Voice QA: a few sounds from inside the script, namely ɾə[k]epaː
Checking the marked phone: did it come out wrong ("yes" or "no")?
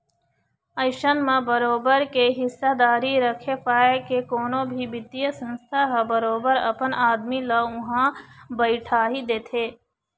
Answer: yes